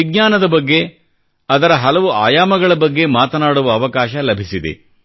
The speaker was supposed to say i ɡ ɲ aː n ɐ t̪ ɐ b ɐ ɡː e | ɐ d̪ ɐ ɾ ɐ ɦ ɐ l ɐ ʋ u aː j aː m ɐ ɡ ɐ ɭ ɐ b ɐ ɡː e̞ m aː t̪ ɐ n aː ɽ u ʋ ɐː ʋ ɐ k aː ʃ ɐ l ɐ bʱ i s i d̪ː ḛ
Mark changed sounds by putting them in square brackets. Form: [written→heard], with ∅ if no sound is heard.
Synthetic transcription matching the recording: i ɡ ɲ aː n ɐ [t̪→d̪] ɐ b ɐ ɡː e | ɐ d̪ ɐ ɾ ɐ ɦ ɐ l ɐ ʋ u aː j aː m ɐ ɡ ɐ ɭ ɐ b ɐ ɡː e̞ m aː t̪ ɐ n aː ɽ u ʋ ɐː ʋ ɐ k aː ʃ ɐ l ɐ bʱ i s i [d̪ː→d̪] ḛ